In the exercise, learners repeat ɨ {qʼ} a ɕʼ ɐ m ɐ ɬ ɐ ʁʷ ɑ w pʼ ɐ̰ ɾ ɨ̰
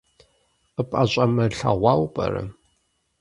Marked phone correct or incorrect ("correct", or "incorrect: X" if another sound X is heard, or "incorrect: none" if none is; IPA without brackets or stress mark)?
incorrect: pʼ